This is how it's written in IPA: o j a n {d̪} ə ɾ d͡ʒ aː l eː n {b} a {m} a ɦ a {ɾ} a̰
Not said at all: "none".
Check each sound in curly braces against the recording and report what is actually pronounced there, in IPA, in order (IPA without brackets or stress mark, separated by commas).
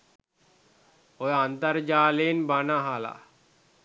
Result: t̪, b, n, l